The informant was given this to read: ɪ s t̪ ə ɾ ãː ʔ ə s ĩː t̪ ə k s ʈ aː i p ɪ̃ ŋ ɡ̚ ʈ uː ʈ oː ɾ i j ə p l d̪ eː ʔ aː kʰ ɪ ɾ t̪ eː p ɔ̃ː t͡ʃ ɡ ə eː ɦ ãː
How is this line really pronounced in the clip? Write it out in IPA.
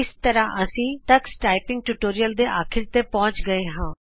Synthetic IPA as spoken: ɪ s t̪ ə ɾ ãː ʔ ə s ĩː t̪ ə k s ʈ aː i p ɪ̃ ŋ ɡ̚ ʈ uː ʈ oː ɾ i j ə l d̪ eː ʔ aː kʰ ɪ ɾ t̪ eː p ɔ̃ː t͡ʃ ɡ ə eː ɦ ãː